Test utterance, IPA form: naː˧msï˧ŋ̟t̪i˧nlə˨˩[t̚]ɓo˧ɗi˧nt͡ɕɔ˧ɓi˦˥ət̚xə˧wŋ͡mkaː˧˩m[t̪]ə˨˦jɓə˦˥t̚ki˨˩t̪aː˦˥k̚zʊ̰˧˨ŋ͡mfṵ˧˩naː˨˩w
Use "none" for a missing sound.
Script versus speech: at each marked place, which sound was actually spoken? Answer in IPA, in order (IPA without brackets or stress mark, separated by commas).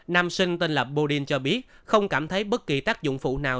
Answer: p̚, t̪ʰ